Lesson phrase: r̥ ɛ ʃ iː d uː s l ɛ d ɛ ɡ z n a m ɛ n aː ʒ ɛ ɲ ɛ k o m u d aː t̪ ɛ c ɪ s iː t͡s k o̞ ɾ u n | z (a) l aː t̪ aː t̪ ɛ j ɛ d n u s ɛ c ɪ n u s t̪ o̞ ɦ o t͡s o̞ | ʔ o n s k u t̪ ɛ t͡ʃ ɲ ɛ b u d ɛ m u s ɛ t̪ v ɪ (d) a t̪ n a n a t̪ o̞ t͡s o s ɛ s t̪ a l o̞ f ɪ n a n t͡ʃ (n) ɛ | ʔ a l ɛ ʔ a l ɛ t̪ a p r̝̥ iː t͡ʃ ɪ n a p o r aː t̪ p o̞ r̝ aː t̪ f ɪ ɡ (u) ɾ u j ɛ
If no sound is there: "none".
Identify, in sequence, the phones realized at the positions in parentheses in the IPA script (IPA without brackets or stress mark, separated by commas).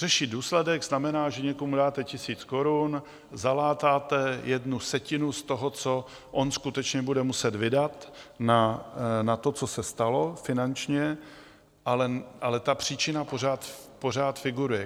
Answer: a, d, ɲ, u